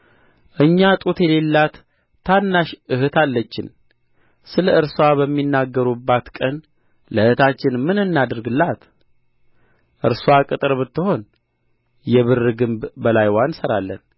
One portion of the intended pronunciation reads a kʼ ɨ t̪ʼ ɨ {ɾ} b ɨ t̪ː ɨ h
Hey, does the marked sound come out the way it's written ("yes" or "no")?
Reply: yes